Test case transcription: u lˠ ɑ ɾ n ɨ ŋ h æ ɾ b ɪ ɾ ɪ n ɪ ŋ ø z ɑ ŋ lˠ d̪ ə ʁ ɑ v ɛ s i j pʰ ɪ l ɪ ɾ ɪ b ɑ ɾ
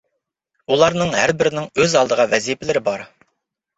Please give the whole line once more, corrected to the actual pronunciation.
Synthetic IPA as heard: u lˠ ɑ ɾ n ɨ ŋ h æ ɾ b ɪ ɾ ɪ n ɪ ŋ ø z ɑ lˠ d̪ ə ʁ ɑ v ɛ z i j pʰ ɪ l ɪ ɾ ɪ b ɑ ɾ